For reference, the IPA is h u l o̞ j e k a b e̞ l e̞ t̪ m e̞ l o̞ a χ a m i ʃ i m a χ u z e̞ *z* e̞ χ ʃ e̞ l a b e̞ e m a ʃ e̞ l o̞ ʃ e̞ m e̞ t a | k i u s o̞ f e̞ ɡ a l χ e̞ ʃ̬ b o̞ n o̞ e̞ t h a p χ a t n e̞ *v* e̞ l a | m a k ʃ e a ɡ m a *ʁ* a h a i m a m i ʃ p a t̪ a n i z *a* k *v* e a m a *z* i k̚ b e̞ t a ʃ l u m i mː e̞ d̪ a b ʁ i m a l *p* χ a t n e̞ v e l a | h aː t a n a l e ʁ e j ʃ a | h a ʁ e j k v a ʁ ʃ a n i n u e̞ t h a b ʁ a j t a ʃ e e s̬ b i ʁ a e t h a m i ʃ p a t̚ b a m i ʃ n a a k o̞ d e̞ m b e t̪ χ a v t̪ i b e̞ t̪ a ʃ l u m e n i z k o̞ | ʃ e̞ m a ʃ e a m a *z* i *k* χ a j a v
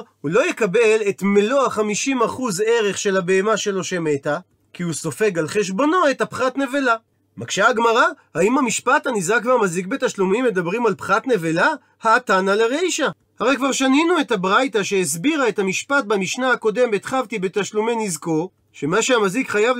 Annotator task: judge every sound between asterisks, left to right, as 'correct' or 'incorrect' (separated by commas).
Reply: incorrect, correct, correct, correct, correct, correct, correct, correct, correct